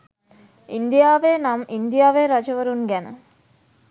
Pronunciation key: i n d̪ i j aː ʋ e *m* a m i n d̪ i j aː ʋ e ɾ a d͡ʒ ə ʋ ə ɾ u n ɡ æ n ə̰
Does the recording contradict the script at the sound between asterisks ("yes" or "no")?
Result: yes